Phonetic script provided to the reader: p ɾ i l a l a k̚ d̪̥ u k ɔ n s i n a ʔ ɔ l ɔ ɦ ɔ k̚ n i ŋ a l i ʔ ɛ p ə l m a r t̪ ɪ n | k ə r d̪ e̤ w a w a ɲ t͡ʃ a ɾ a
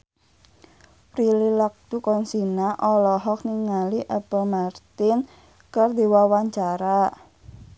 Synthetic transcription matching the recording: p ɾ i l i l a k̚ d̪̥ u k ɔ n s i n a ʔ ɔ l ɔ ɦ ɔ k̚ n i ŋ a l i ʔ ɛ p ə l m a r t̪ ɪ n | k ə r d̪ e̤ w a w a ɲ t͡ʃ a ɾ a